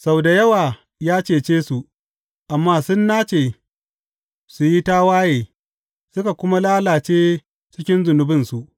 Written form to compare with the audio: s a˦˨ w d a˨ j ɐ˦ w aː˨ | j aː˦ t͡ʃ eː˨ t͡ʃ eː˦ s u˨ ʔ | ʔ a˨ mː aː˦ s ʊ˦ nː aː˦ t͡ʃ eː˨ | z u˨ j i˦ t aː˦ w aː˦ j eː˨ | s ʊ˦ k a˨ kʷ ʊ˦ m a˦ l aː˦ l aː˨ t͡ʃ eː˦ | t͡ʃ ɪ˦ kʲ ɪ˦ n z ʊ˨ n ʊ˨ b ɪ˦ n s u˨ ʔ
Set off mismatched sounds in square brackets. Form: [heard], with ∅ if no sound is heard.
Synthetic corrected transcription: s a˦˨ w d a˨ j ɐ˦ w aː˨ | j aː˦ t͡ʃ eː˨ t͡ʃ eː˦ s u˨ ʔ | ʔ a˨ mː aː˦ s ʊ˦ nː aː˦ t͡ʃ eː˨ | [s] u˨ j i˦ t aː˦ w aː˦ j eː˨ | s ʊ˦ k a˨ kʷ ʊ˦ m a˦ l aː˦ l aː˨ t͡ʃ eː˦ | t͡ʃ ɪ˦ kʲ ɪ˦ n z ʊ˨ n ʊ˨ b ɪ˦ n s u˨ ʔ